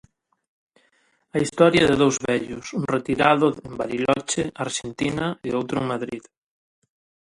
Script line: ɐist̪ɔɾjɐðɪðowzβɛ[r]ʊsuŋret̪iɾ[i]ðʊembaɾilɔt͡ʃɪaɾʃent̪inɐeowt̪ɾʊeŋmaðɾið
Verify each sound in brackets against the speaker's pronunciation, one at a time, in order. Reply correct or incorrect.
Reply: incorrect, incorrect

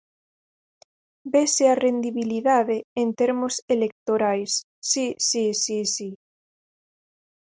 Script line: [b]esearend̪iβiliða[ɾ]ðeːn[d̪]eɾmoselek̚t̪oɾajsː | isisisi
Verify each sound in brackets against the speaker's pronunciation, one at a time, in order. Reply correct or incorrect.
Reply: correct, incorrect, incorrect

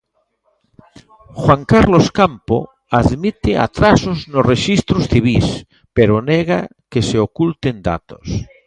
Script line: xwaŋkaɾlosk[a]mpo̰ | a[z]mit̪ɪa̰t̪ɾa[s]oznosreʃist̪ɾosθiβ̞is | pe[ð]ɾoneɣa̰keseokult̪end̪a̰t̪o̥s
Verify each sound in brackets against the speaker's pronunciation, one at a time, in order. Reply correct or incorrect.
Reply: correct, incorrect, correct, incorrect

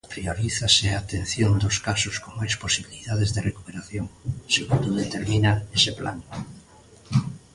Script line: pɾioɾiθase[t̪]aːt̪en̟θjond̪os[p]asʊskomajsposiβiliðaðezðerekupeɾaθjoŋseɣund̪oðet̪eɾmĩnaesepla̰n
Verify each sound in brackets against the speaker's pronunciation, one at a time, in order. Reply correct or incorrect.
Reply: incorrect, incorrect

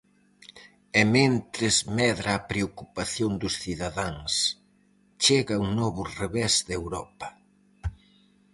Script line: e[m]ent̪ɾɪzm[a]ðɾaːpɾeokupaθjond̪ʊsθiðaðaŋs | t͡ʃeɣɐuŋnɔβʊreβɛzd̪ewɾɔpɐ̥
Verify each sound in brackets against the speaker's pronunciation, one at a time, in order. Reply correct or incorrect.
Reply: correct, incorrect

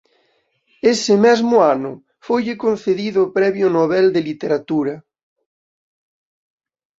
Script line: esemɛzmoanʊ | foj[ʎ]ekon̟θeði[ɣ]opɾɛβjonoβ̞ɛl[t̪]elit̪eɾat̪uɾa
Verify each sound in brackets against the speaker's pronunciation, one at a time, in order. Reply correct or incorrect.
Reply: correct, incorrect, incorrect

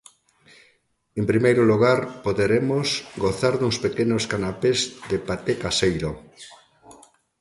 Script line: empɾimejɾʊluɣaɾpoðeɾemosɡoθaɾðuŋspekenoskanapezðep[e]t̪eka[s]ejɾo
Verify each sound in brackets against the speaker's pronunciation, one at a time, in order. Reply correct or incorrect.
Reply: incorrect, correct

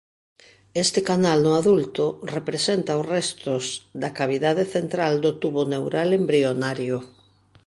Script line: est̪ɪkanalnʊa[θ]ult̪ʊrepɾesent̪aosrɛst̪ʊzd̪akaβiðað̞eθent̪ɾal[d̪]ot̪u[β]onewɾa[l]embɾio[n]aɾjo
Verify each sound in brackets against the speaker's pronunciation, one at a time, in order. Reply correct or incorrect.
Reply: incorrect, correct, correct, correct, correct

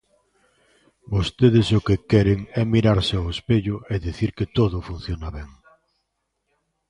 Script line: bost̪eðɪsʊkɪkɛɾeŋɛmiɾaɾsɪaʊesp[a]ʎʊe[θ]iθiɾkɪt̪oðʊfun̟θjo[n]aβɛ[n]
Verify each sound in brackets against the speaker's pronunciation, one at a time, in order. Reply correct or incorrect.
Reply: incorrect, incorrect, correct, incorrect

